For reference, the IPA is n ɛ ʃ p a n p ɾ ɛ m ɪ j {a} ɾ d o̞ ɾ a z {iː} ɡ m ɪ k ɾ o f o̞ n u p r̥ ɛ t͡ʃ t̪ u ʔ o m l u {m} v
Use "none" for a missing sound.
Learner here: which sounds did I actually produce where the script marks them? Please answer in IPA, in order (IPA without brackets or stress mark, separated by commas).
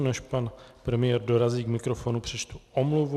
ɛ, iː, none